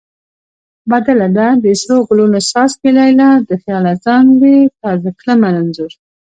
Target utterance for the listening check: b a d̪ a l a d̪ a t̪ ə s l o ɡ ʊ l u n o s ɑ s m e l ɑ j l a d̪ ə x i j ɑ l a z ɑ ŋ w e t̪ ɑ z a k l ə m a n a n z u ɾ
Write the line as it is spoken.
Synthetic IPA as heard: b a d̪ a l a d̪ a d̪ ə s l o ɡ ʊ l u n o s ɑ s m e l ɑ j l a d̪ ə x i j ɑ l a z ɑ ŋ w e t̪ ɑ z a k l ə m a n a n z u ɾ